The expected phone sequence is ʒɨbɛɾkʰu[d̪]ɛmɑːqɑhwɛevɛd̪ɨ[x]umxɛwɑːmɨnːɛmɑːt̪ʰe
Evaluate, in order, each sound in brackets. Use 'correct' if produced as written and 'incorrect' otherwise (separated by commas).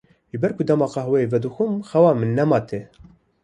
correct, correct